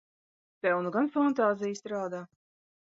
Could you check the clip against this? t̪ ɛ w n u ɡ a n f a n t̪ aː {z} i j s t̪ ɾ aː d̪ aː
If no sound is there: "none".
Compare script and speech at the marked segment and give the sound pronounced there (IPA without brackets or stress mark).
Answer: z